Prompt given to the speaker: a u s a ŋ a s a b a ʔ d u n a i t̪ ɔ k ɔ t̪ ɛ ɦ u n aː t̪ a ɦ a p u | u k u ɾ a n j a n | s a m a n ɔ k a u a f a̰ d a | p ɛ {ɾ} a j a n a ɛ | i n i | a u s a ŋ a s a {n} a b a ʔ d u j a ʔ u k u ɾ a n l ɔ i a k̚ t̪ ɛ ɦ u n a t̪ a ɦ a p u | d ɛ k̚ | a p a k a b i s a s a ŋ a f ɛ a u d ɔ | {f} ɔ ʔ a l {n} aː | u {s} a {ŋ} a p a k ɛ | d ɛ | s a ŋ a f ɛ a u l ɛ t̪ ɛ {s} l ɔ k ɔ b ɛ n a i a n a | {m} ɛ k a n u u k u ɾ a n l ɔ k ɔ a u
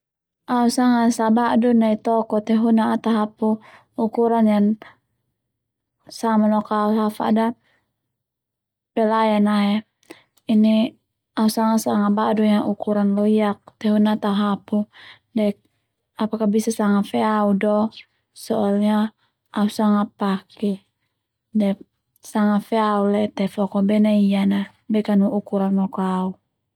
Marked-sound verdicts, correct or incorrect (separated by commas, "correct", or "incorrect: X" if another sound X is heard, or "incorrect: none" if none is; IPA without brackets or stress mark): incorrect: l, incorrect: ŋ, incorrect: s, incorrect: ɲ, correct, correct, incorrect: f, incorrect: b